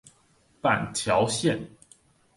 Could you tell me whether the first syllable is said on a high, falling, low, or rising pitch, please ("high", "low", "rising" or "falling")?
low